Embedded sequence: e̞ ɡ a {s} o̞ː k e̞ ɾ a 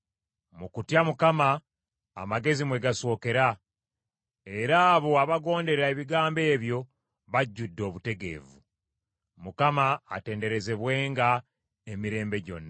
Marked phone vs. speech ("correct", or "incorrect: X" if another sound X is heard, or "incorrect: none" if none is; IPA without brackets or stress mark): correct